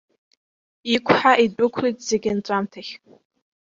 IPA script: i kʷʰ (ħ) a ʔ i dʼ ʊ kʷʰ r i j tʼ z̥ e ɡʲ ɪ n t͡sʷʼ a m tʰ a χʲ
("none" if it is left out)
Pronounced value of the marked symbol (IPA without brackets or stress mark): ħ